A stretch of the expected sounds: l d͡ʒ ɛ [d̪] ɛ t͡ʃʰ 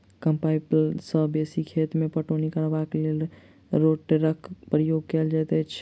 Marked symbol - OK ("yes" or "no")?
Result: no